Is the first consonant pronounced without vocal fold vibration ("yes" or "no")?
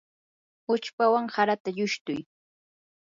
yes